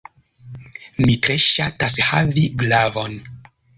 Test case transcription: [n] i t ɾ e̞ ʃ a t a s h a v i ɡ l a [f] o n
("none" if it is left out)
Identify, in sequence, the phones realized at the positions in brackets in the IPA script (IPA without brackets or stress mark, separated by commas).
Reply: m, v